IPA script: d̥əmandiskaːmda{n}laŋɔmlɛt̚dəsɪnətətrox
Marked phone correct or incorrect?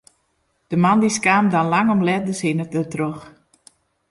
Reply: correct